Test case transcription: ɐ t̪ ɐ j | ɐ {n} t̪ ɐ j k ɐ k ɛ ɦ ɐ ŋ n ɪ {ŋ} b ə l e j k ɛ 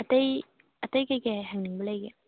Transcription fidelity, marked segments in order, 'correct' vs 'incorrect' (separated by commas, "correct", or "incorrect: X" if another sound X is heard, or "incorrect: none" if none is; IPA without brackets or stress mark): incorrect: none, correct